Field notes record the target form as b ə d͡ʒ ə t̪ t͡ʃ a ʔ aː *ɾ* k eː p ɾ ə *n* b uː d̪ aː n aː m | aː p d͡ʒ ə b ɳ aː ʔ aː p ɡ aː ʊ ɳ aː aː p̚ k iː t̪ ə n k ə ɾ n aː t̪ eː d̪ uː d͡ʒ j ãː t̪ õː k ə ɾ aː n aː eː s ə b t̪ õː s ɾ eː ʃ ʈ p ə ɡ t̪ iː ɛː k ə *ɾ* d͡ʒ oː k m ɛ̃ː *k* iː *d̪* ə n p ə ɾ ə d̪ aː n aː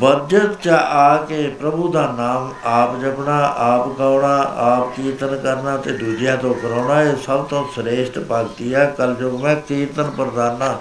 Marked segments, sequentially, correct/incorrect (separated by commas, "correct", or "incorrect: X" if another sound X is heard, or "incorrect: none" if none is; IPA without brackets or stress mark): incorrect: none, incorrect: none, incorrect: l, correct, incorrect: t̪